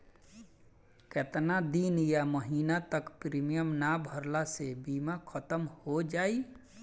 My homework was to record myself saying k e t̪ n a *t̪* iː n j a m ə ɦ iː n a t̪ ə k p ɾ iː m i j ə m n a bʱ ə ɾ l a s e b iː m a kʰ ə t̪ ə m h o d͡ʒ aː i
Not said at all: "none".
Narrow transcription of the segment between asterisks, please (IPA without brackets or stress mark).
d̪